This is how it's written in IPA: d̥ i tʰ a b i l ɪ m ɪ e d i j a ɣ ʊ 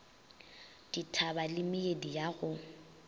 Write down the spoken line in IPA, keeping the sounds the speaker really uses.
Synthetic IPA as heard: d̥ i tʰ a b a l ɪ m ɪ e d i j a ɣ ʊ